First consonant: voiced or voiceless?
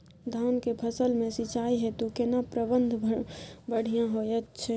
voiced